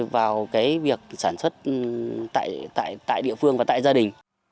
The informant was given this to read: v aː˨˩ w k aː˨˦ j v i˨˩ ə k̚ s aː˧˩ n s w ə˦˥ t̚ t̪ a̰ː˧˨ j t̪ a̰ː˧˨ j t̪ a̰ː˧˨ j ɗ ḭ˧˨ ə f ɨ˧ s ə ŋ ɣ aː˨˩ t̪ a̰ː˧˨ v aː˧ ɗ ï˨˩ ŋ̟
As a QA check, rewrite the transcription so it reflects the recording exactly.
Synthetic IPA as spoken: v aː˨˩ w k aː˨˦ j v i˨˩ ə k̚ s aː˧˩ n s w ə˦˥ t̚ t̪ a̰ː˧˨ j t̪ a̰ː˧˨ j t̪ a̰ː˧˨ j ɗ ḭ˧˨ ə f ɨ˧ ə ŋ v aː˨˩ t̪ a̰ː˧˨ z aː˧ ɗ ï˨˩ ŋ̟